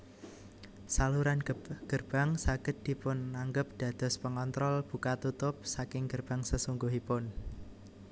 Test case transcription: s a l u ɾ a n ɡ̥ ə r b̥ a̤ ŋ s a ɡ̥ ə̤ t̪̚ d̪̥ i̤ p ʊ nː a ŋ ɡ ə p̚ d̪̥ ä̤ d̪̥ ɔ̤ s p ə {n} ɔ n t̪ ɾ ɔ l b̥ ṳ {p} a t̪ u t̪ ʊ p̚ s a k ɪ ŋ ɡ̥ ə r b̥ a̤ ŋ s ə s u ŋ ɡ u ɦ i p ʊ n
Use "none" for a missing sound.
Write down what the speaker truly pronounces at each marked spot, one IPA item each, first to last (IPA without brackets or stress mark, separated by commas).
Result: ŋ, k